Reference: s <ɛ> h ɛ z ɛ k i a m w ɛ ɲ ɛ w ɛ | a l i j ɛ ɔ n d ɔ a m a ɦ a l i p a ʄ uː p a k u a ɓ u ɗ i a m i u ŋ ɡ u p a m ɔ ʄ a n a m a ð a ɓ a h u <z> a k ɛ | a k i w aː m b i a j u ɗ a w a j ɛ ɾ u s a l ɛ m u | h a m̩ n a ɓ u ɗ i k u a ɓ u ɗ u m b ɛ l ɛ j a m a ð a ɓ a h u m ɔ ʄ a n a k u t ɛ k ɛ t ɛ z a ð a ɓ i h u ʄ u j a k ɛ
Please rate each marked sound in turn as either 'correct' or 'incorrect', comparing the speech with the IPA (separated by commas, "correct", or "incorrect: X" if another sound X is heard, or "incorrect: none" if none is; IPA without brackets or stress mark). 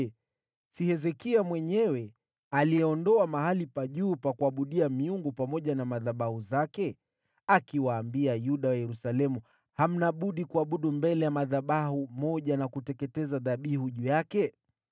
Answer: incorrect: i, correct